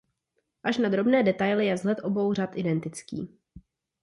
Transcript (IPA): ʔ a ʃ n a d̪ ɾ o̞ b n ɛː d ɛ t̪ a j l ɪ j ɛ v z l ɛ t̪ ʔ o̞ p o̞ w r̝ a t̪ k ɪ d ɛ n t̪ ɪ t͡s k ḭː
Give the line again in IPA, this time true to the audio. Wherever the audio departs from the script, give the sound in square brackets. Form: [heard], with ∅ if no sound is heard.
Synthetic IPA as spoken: ʔ a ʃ n a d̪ ɾ o̞ b n ɛː d ɛ t̪ a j l ɪ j ɛ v z l ɛ t̪ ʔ o̞ [b] o̞ w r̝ a t̪ [ʔ] ɪ d ɛ n t̪ ɪ t͡s k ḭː